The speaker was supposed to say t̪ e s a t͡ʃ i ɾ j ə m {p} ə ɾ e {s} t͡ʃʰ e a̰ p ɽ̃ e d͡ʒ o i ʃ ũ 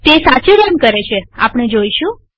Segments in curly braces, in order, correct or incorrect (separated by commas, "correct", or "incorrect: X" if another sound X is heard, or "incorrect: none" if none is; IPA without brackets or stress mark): incorrect: k, incorrect: none